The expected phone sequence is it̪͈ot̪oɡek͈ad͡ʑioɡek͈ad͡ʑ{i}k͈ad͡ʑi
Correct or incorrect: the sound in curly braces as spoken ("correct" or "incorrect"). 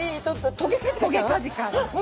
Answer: correct